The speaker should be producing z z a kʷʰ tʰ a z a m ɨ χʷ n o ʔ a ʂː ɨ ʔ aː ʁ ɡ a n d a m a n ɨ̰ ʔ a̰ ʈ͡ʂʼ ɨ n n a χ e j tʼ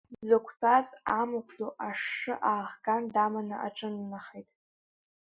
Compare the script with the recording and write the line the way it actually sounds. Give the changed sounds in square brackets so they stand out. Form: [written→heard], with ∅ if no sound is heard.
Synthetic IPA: z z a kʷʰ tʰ a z a m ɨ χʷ [n→d] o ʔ a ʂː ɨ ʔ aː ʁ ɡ a n d a m a n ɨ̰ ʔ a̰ ʈ͡ʂʼ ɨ n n a χ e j tʼ